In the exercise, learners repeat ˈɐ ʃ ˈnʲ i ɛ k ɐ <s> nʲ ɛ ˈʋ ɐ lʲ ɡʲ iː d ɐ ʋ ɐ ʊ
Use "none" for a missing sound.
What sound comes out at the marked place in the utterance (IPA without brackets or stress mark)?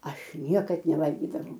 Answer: t